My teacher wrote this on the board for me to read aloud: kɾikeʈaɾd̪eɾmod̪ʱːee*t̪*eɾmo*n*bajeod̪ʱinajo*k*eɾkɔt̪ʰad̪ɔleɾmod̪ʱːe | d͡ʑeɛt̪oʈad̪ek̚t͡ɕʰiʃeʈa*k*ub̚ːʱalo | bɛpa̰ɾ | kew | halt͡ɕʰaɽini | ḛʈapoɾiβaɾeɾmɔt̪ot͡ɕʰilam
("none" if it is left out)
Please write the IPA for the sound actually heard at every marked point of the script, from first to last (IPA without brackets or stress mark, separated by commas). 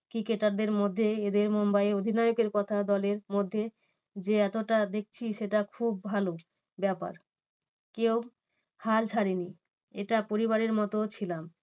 d̪, m, k, kʰ